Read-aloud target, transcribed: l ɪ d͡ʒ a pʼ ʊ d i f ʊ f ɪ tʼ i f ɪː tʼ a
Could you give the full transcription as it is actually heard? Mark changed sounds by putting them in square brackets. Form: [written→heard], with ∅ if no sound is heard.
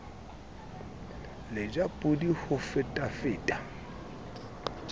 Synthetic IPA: l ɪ d͡ʒ a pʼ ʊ d i [f→h] ʊ f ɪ tʼ [i→a] f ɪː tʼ a